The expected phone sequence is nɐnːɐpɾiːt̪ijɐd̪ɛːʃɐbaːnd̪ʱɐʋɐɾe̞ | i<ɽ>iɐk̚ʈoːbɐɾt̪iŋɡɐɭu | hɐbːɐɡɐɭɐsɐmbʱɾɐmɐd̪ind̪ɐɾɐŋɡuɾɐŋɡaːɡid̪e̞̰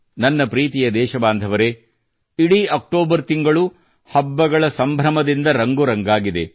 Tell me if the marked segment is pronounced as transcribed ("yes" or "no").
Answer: yes